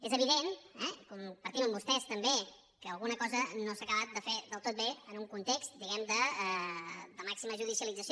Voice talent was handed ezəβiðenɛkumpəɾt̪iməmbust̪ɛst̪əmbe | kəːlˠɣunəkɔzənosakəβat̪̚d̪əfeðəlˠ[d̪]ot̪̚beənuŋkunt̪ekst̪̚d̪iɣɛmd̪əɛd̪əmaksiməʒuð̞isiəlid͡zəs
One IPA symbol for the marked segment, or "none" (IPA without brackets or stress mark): t̪